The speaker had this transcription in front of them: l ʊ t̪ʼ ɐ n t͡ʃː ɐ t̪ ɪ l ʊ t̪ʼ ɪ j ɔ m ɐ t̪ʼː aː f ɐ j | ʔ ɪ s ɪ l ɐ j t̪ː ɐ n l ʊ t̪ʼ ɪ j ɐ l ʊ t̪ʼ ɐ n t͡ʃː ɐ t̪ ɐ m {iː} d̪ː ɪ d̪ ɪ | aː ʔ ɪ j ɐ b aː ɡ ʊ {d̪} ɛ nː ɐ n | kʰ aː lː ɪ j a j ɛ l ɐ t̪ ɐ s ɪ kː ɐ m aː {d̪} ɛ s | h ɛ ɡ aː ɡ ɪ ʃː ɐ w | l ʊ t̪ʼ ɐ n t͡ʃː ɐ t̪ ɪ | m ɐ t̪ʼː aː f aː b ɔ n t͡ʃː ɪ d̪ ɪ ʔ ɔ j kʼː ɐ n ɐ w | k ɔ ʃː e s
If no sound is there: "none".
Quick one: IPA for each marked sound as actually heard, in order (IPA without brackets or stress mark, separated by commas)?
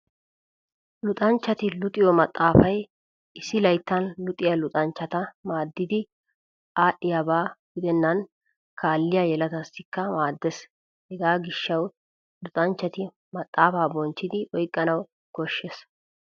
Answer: aː, d̪, d̪ː